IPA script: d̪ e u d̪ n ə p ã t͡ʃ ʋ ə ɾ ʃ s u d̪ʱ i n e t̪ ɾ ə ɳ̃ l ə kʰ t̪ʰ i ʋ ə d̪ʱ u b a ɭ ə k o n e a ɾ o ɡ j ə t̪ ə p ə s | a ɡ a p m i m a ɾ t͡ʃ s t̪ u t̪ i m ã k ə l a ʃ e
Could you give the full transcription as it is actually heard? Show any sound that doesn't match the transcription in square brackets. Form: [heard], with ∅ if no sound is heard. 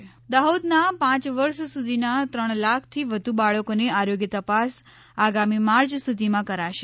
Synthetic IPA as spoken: d̪ [a] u d̪ n [a] p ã t͡ʃ ʋ ə ɾ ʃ s u d̪ʱ i n [a] t̪ ɾ ə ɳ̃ l [a] kʰ t̪ʰ i ʋ ə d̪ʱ u b a ɭ ə k o n e a ɾ o ɡ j ə t̪ ə p [a] s | a ɡ a [∅] m i m a ɾ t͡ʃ s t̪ u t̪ i m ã k ə [ɾ] a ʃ e